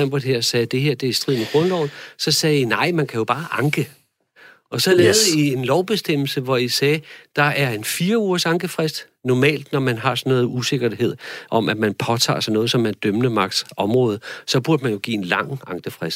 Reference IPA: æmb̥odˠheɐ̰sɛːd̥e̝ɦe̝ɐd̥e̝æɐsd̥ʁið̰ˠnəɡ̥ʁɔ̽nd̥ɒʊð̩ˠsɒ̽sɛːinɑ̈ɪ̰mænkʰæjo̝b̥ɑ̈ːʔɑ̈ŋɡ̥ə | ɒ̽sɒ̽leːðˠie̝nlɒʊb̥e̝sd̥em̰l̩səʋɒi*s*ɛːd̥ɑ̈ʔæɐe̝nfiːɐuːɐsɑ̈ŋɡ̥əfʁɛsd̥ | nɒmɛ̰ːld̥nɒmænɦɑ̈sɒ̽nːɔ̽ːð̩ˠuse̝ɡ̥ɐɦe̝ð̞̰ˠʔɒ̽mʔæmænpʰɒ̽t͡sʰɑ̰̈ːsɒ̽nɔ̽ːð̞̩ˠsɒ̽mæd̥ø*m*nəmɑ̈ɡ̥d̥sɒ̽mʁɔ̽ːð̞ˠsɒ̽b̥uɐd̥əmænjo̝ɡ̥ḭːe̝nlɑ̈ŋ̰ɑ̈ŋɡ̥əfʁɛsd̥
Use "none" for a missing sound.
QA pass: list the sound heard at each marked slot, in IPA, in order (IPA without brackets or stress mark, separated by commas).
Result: s, m